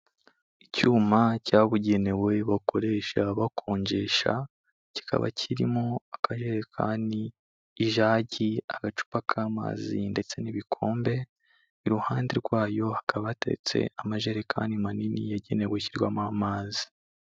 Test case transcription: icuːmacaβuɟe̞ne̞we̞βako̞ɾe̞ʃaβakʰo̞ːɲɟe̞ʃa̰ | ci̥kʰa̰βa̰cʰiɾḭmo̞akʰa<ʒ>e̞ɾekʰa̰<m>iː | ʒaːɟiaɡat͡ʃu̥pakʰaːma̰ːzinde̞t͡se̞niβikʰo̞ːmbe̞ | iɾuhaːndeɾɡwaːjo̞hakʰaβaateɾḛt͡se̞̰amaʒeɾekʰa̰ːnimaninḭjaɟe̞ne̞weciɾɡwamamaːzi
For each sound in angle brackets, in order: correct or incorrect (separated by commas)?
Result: correct, incorrect